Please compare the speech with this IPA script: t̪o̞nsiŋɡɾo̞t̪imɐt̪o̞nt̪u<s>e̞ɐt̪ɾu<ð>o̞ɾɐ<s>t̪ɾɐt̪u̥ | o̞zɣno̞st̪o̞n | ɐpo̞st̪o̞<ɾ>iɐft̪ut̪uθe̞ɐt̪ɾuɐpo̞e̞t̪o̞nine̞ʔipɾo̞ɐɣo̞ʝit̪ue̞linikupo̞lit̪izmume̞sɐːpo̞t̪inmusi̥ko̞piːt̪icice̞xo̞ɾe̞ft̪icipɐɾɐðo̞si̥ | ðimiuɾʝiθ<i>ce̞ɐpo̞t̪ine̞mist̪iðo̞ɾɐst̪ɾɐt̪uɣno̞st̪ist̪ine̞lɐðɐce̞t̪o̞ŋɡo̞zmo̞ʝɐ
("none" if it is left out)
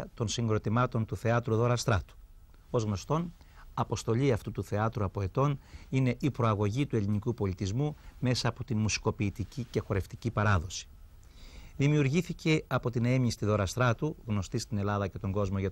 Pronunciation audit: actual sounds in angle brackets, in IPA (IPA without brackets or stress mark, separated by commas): θ, ð, s, ʎ, i